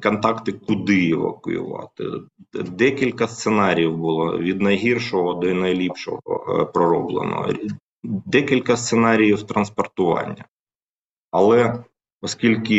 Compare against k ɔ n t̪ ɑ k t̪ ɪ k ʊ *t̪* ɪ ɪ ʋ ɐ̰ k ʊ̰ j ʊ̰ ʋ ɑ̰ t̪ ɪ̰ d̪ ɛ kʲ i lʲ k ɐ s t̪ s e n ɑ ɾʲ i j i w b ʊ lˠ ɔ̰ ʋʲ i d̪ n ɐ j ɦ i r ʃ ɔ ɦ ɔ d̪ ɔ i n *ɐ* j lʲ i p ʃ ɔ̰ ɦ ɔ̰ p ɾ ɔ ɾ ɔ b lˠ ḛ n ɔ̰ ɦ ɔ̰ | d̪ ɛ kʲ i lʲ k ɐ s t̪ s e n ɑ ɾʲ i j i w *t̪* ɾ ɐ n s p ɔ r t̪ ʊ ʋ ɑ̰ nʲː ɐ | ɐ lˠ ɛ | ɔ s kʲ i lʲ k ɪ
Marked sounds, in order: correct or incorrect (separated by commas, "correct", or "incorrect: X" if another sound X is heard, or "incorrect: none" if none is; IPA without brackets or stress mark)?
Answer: incorrect: d̪, correct, correct